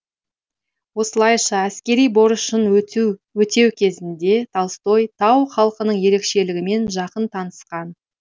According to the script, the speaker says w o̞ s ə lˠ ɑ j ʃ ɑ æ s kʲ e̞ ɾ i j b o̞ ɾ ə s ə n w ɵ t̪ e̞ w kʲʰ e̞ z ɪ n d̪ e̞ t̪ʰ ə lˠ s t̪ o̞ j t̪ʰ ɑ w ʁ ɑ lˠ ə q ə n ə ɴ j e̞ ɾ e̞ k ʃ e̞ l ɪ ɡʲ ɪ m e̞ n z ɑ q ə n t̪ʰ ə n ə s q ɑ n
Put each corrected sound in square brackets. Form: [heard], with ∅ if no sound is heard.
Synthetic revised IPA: w o̞ s ə lˠ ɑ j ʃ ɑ æ s kʲ e̞ ɾ i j b o̞ ɾ ə [ʃ] ə n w ɵ t̪ e̞ w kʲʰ e̞ z ɪ n d̪ e̞ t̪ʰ [ɑ] lˠ s t̪ o̞ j t̪ʰ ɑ w [χ] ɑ lˠ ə q ə n ə ɴ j e̞ ɾ e̞ k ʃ e̞ l ɪ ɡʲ ɪ m e̞ n [ʒ] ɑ q ə n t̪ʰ [ɑ] n ə s q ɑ n